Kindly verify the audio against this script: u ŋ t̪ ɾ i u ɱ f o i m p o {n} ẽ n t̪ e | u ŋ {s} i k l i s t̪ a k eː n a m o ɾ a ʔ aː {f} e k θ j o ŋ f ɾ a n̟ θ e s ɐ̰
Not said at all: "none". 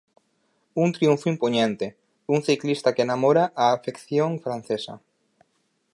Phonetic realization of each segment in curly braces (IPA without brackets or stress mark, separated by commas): ɲ, θ, f